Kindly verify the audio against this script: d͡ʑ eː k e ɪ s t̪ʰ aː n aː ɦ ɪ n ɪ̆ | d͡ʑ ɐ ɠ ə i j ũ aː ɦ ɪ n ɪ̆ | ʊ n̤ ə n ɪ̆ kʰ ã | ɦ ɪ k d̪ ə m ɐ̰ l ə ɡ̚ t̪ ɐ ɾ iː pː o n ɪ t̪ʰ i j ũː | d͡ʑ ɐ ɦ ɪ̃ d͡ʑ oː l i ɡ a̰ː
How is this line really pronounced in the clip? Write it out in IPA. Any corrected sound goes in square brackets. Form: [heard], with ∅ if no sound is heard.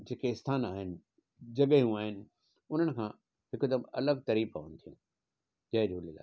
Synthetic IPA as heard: d͡ʑ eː k e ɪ s t̪ʰ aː n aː ɦ ɪ n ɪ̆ | d͡ʑ ɐ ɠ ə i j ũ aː ɦ ɪ n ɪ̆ | ʊ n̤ ə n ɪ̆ kʰ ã | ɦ ɪ k d̪ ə m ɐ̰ l ə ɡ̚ t̪ ɐ ɾ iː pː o n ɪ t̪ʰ i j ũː | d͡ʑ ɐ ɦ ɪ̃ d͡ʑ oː l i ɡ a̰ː